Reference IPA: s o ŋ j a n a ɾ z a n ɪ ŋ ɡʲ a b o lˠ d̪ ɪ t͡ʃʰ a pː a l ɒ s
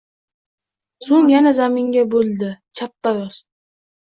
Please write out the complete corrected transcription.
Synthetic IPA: s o ŋ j a n a z a m ɪ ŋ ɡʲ a b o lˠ d̪ ɪ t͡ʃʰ a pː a ɾ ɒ s